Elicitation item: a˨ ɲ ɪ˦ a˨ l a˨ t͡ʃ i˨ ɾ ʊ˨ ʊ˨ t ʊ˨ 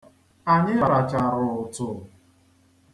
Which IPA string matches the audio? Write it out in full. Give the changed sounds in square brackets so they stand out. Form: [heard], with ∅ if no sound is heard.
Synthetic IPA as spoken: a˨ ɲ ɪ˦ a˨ [ɾ] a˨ t͡ʃ [a˨] ɾ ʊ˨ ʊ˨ t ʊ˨